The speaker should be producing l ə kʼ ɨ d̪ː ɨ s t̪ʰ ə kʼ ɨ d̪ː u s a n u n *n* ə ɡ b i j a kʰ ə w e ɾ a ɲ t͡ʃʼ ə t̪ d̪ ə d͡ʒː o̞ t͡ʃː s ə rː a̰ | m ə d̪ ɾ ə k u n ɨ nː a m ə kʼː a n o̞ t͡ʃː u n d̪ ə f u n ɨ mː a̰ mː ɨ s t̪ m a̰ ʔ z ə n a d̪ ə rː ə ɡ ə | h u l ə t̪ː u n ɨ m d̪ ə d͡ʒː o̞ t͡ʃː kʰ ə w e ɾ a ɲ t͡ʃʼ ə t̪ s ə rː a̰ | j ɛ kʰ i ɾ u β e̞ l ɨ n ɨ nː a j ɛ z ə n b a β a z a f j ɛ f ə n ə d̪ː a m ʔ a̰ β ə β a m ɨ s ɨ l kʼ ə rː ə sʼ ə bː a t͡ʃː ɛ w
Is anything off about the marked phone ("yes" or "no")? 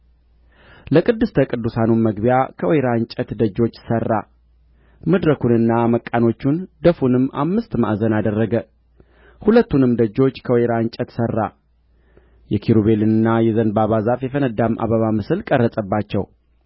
yes